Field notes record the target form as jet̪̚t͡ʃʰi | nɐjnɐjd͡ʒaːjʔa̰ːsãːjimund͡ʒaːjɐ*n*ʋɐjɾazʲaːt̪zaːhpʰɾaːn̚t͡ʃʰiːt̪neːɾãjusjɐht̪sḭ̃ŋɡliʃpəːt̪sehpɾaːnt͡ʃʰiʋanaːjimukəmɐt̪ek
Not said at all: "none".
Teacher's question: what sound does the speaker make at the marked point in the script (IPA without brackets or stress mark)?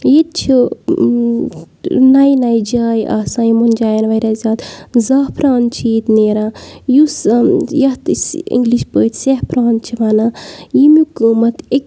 n